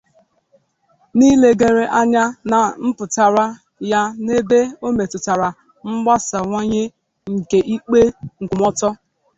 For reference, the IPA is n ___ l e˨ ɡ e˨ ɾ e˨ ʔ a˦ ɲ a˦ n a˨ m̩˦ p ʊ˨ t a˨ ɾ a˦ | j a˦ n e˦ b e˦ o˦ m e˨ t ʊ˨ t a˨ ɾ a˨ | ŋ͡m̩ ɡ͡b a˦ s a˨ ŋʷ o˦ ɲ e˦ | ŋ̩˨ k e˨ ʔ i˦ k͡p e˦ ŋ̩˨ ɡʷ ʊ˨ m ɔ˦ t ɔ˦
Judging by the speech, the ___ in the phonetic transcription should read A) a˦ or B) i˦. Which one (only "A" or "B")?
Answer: B